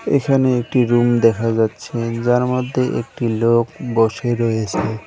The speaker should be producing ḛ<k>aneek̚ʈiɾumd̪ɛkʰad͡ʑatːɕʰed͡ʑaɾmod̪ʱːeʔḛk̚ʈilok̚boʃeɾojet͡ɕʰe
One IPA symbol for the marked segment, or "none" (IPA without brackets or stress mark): kʰ